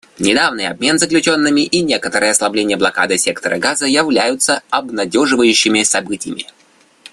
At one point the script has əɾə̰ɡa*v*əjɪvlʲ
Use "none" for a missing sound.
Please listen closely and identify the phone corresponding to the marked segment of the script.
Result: z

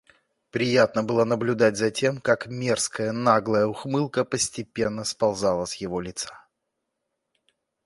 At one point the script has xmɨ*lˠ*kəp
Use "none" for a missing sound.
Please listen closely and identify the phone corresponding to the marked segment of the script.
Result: lˠ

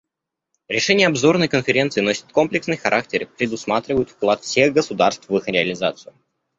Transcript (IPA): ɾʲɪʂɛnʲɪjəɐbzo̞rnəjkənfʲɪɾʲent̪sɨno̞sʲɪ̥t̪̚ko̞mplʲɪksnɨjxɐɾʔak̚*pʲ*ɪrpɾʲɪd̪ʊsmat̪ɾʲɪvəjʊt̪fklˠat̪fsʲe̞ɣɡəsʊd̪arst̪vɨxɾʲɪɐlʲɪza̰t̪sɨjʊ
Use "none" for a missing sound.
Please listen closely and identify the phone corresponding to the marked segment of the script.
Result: tʲ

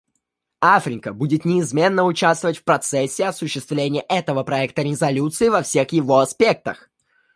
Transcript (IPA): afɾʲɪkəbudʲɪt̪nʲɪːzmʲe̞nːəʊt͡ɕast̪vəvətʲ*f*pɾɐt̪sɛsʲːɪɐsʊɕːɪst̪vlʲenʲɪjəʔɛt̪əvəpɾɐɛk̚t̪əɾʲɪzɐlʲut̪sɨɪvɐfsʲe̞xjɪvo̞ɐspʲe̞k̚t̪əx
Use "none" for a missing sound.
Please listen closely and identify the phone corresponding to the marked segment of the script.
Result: f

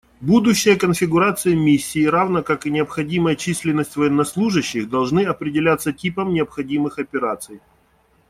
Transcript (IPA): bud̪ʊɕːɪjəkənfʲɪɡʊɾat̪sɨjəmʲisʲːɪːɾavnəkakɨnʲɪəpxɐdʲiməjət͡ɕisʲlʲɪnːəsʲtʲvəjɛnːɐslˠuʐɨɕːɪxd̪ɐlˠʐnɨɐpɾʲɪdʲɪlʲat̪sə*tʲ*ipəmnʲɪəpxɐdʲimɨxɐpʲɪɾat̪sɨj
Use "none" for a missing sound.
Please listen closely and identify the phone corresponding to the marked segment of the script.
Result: tʲ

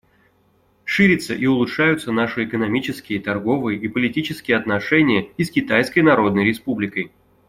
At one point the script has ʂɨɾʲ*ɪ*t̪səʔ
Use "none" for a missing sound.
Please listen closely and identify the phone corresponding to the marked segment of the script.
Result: ɪ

